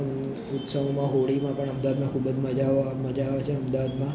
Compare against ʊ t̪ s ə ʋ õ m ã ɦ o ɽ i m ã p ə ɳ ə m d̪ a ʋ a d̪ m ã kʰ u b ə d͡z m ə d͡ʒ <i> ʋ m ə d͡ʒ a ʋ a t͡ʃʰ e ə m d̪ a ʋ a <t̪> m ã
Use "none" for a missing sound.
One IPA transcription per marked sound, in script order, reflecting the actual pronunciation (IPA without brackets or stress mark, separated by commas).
a, d̪